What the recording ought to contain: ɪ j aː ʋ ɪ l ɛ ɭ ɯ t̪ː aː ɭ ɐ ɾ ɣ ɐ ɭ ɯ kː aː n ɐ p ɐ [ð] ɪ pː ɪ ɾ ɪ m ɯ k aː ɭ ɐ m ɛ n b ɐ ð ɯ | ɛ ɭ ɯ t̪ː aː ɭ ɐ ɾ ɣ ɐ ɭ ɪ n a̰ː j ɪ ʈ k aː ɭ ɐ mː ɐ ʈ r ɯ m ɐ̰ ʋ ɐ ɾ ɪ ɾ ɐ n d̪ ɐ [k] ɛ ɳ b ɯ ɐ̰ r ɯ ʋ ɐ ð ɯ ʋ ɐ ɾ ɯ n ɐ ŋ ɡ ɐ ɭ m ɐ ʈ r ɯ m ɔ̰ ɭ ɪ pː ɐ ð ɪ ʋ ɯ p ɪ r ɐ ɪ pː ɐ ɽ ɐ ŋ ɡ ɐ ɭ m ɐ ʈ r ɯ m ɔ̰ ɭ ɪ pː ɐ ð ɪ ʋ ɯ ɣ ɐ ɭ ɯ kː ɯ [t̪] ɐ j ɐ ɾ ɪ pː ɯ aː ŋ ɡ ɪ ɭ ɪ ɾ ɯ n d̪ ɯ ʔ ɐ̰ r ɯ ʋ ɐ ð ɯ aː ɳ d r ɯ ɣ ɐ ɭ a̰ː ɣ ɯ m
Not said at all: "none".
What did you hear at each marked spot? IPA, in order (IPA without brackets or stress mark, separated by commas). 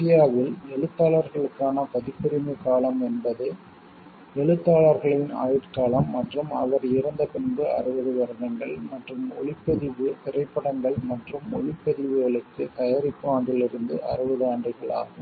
ð, p, t̪